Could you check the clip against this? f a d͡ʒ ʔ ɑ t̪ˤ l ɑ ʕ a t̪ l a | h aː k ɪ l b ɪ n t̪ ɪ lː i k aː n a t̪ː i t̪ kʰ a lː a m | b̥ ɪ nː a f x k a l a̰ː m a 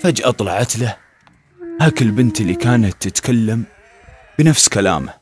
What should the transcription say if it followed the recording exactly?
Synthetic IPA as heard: f a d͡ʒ ʔ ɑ t̪ˤ l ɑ ʕ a t̪ l a | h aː k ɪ l b ɪ n t̪ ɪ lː i k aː n a t̪ː ɪ t̪ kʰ a lː a m | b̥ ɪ n a f s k a l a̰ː m a